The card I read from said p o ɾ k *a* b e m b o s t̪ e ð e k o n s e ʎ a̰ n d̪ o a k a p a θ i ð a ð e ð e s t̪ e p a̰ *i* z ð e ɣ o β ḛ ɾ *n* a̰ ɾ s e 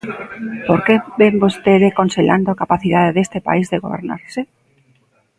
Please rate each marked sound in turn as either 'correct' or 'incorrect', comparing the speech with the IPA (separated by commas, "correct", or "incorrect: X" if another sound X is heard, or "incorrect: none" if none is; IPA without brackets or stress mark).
incorrect: e, correct, correct